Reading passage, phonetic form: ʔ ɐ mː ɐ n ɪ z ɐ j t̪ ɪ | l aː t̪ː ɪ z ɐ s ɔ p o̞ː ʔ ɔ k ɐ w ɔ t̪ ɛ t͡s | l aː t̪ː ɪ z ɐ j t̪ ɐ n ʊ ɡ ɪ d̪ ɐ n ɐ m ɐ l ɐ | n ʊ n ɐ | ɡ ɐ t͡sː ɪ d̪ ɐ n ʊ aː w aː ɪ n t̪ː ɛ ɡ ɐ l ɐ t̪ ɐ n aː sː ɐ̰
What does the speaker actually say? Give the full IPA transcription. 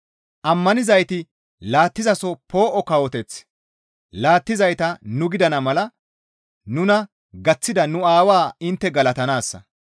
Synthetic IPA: ʔ ɐ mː ɐ n ɪ z ɐ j t̪ ɪ | l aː t̪ː ɪ z ɐ s ɔ p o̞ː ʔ ɔ k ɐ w ɔ t̪ ɛ t͡s | l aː t̪ː ɪ z ɐ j t̪ ɐ n ʊ ɡ ɪ d̪ ɐ n ɐ m ɐ l ɐ | n ʊ n ɐ | ɡ ɐ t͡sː ɪ d̪ ɐ n ʊ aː w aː ɪ n t̪ː ɛ ɡ ɐ l ɐ t̪ ɐ n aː sː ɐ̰